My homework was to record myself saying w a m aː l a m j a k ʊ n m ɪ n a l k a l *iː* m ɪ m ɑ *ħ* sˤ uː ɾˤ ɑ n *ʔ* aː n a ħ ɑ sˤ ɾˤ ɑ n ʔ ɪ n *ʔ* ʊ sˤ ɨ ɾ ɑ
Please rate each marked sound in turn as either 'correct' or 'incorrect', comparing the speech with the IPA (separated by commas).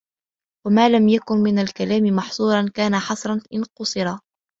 incorrect, correct, incorrect, incorrect